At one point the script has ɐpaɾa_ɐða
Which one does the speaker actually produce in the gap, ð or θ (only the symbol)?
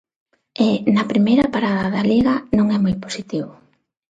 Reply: ð